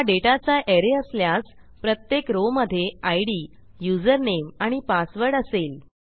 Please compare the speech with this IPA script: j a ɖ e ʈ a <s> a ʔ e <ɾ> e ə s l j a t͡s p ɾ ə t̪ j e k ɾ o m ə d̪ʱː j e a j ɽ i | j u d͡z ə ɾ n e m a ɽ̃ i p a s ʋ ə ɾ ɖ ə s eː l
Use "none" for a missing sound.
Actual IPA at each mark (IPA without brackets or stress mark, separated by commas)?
t͡s, ɾ